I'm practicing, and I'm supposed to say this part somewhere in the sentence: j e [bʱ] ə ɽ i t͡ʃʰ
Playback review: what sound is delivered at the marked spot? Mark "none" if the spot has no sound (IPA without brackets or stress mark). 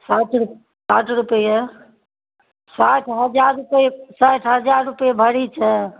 bʱ